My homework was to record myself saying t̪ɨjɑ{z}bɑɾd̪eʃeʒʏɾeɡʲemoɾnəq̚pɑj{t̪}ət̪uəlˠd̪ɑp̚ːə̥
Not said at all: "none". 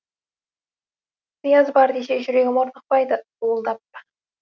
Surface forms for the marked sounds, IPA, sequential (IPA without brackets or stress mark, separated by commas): z, d̪